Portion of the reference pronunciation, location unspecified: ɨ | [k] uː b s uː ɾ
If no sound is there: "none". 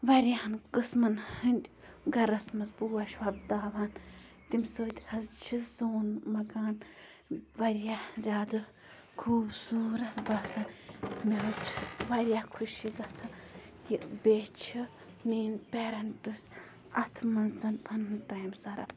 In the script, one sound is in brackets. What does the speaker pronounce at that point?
kʰ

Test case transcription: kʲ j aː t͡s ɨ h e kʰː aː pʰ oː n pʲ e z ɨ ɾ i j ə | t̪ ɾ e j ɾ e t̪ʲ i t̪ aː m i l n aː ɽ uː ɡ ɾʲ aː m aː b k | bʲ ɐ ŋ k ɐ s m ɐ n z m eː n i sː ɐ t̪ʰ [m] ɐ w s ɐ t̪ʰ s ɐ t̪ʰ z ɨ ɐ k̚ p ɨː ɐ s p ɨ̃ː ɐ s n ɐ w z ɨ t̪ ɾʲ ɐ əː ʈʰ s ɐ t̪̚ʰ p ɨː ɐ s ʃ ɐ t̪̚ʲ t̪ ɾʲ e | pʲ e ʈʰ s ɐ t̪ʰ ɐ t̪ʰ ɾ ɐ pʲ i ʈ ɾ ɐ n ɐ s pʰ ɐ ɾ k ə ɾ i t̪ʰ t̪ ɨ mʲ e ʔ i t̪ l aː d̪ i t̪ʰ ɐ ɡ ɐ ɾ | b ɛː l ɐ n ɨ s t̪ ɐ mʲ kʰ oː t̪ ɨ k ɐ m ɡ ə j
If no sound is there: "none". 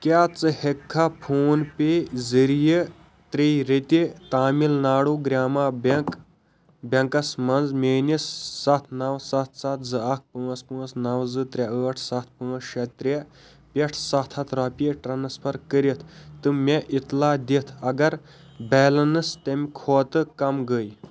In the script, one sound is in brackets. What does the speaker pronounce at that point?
n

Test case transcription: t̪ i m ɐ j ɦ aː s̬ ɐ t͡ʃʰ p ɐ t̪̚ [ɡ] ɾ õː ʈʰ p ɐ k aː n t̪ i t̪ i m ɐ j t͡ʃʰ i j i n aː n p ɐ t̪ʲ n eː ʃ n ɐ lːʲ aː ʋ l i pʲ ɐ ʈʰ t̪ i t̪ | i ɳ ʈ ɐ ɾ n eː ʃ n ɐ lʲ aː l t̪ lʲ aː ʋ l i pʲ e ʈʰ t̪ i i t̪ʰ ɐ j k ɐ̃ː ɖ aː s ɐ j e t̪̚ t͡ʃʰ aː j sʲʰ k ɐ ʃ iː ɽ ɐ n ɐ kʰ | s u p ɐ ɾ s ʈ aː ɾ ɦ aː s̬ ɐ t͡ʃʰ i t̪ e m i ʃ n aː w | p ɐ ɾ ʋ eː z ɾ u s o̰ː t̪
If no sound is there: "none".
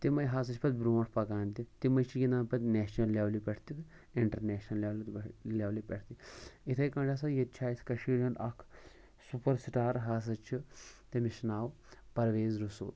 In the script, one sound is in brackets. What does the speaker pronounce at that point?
b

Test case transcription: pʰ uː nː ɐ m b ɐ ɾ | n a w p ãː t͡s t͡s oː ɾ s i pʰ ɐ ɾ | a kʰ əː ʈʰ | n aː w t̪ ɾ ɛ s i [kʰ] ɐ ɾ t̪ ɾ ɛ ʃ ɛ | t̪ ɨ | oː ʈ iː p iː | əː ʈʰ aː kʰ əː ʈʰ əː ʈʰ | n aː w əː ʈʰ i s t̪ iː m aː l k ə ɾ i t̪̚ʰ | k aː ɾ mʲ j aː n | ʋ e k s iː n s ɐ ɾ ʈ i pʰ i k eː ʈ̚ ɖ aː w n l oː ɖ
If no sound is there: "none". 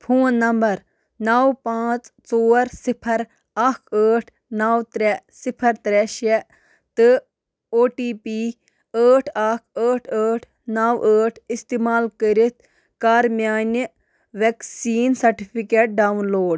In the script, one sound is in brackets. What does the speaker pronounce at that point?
pʰ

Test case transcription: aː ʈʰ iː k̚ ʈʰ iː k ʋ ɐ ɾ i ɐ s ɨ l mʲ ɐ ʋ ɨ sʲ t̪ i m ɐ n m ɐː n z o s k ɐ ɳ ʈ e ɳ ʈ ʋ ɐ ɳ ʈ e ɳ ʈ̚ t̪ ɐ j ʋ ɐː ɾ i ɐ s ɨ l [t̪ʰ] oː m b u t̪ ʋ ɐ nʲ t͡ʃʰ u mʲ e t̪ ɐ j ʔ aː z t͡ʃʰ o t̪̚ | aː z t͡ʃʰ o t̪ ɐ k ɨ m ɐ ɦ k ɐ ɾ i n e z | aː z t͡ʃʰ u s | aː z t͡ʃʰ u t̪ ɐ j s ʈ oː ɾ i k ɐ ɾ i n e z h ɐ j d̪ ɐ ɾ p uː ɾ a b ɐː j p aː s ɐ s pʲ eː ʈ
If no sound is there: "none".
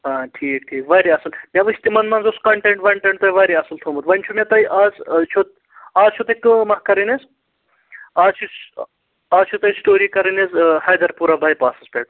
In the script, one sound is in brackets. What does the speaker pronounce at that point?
t̪ʰ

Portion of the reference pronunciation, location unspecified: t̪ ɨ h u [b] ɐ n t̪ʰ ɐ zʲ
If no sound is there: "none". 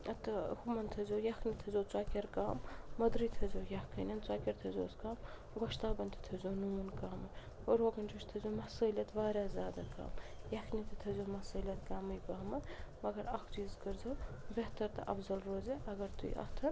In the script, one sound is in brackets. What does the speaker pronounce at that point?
m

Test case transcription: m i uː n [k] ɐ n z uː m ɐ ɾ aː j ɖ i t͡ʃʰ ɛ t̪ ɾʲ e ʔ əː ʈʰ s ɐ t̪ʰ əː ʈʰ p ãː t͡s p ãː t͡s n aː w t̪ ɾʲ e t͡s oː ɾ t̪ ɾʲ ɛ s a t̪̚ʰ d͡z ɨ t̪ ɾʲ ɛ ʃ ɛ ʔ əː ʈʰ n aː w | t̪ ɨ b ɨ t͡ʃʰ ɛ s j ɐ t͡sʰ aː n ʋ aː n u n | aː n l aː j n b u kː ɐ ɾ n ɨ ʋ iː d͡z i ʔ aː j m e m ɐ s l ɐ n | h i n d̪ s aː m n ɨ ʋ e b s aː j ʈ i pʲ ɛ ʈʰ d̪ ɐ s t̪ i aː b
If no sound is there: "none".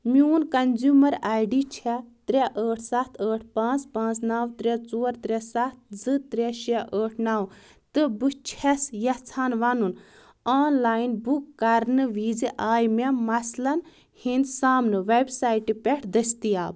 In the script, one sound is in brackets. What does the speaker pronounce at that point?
k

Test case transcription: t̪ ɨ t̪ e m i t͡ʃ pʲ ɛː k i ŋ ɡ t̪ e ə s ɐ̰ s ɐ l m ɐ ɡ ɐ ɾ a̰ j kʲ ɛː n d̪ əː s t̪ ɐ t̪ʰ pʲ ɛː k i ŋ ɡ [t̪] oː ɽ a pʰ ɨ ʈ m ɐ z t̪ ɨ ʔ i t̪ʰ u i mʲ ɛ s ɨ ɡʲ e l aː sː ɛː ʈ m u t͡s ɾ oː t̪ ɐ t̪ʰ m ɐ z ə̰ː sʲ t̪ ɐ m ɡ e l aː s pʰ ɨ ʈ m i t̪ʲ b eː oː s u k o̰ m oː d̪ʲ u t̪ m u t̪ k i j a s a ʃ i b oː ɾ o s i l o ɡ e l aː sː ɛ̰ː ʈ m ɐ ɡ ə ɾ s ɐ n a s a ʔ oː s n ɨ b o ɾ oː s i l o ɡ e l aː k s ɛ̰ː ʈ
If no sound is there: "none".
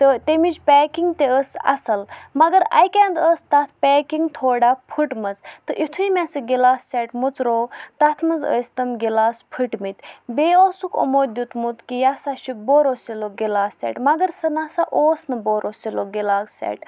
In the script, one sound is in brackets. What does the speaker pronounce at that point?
t̪ʰ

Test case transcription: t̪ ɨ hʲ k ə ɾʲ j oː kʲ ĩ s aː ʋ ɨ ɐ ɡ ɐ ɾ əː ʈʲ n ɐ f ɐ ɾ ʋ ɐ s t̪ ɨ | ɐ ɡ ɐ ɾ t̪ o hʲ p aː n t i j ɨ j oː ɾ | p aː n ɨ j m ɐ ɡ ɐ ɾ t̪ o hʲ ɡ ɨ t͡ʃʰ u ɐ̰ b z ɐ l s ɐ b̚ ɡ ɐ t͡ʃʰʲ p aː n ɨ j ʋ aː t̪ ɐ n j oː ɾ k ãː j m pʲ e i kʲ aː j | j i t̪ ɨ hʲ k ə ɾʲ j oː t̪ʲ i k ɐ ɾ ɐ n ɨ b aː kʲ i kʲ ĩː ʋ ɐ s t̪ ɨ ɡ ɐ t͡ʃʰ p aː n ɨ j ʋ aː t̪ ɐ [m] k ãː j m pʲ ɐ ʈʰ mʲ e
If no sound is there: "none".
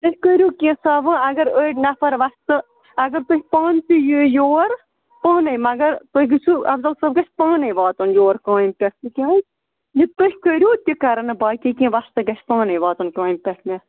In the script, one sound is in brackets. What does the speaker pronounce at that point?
n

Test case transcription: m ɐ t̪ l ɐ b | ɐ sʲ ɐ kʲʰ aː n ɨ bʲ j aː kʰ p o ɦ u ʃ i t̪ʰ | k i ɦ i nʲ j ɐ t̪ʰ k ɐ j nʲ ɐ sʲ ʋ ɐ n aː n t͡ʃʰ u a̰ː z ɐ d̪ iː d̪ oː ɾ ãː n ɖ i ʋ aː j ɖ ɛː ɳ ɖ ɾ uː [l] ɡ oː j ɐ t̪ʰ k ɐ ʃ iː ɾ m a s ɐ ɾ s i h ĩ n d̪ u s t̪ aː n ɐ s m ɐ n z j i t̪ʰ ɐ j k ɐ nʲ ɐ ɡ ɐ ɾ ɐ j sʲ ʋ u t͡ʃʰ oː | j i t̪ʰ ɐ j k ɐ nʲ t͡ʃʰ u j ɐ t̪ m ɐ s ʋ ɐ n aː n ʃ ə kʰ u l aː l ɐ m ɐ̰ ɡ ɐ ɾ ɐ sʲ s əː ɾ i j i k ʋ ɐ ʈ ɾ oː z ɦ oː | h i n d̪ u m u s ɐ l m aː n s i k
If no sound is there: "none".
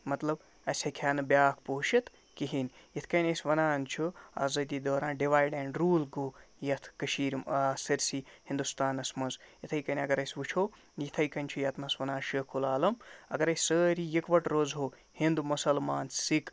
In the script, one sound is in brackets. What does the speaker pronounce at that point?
l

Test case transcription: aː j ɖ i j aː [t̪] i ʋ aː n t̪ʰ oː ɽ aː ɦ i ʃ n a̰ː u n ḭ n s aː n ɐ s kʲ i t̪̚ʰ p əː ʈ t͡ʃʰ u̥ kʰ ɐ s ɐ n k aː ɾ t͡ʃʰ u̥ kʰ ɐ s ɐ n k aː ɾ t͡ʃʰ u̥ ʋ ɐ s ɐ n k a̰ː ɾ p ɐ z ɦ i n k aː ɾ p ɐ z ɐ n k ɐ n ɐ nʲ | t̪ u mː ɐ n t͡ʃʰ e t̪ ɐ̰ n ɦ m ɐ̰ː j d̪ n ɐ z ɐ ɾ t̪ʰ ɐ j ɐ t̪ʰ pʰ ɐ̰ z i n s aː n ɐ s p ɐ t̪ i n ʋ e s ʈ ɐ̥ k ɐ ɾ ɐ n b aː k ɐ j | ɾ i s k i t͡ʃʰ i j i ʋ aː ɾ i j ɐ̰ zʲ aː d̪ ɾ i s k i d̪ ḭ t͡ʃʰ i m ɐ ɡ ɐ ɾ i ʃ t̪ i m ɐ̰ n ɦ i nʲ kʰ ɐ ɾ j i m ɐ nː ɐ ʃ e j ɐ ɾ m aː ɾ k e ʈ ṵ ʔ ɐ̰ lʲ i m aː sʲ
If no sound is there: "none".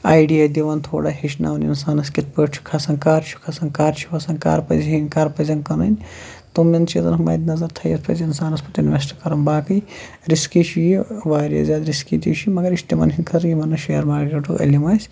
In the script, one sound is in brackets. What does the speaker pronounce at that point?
d̪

